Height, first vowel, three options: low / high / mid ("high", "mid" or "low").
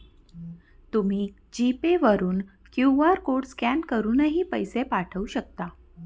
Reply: high